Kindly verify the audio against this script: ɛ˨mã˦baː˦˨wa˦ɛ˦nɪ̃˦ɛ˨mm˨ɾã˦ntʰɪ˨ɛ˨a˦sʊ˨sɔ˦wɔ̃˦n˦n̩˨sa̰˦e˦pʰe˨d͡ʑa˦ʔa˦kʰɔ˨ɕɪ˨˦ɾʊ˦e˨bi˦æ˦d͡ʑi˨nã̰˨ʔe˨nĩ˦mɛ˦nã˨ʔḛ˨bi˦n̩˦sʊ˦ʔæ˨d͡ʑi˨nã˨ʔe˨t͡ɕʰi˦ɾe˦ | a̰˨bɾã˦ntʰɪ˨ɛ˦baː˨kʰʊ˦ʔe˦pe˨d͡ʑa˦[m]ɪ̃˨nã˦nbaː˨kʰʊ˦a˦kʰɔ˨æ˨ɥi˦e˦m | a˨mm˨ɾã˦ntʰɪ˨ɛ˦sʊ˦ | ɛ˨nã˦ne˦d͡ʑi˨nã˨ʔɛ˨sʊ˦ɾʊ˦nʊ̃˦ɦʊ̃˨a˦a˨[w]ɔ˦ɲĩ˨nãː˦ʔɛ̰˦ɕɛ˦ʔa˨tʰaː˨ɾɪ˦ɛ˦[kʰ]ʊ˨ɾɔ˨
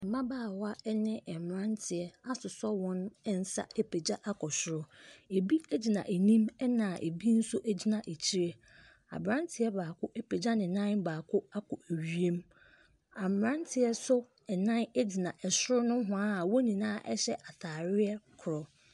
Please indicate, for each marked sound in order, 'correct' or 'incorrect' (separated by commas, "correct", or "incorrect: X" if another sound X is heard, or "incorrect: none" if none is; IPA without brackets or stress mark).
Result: incorrect: n, correct, correct